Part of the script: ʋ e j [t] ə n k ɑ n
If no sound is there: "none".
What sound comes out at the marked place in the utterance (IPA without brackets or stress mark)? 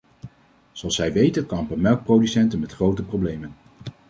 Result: t